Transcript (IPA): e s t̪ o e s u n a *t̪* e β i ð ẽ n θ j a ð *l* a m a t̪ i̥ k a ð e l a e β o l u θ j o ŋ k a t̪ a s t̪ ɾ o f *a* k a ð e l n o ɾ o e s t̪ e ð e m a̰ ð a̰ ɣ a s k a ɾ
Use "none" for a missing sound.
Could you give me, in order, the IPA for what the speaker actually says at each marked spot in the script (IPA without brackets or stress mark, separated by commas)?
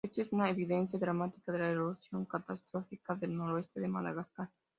none, ɾ, i